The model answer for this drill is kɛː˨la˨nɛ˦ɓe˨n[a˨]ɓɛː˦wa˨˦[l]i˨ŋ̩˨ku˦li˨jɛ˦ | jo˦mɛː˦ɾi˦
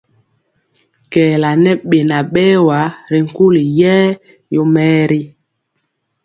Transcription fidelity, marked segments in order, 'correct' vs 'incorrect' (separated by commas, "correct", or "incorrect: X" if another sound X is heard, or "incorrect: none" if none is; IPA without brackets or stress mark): correct, incorrect: ɾ